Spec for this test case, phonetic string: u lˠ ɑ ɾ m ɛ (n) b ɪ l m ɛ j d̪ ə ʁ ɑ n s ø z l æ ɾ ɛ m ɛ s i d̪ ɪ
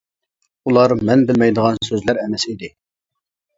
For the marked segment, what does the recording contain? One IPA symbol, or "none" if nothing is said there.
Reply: n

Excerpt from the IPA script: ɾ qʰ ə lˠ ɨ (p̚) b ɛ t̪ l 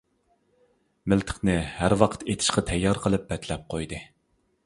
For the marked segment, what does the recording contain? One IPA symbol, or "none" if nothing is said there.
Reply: p̚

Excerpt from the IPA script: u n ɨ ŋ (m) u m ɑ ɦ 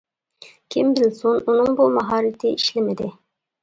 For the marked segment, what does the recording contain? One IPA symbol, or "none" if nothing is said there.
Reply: b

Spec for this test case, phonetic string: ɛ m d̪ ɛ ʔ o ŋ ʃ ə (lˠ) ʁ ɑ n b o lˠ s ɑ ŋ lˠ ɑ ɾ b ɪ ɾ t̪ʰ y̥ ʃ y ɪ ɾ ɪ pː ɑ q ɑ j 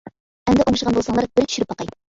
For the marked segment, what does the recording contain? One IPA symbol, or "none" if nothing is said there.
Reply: none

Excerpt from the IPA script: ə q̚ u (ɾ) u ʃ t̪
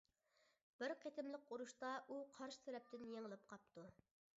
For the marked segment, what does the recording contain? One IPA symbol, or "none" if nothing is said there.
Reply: ɾ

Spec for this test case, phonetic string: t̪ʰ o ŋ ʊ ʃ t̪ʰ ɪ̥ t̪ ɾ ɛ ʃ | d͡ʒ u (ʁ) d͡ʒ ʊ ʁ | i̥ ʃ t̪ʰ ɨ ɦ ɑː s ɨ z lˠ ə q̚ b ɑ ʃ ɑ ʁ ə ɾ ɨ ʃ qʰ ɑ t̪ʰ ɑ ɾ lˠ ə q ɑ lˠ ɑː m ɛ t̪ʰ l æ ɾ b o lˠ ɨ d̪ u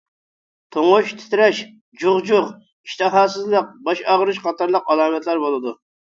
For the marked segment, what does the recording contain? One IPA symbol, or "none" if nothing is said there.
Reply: ʁ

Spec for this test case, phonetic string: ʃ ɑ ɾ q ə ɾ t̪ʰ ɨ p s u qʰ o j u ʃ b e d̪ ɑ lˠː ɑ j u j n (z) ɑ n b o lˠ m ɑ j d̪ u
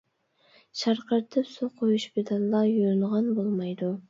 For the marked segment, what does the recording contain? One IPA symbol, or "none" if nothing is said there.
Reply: ʁ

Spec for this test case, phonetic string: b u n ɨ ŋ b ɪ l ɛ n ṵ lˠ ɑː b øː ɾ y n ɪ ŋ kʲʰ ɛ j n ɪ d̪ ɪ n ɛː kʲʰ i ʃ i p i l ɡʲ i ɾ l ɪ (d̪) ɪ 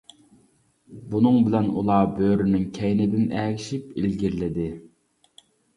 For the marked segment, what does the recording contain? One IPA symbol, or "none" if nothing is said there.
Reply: d̪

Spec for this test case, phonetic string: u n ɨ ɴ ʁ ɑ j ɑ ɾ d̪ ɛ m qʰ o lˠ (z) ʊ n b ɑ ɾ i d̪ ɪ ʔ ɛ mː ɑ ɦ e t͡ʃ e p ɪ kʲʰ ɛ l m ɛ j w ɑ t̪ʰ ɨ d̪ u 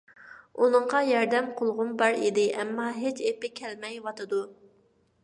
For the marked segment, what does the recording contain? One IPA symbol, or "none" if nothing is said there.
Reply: ʁ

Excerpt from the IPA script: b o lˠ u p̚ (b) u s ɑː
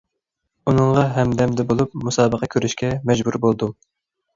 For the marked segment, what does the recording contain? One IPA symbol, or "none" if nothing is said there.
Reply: m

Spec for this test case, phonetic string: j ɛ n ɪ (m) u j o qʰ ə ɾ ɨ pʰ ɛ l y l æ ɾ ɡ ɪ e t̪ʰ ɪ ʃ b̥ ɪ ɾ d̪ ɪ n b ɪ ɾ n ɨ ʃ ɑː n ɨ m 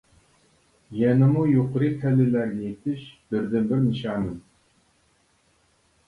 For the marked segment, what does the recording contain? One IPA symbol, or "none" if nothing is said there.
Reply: m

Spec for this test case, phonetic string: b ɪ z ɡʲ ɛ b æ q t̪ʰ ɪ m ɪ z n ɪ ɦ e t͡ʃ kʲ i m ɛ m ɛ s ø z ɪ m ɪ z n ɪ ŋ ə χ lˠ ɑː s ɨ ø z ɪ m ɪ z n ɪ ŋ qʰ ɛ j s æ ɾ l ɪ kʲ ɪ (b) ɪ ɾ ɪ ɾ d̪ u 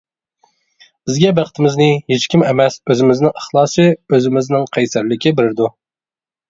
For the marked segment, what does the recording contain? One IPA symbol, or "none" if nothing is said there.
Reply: b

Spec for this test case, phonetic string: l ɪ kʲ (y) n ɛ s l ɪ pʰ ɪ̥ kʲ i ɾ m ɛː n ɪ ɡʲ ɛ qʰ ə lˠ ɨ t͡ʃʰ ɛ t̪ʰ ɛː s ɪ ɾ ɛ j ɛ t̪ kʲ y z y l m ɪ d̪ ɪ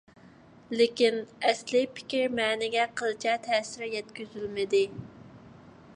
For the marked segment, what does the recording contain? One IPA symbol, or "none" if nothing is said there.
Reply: i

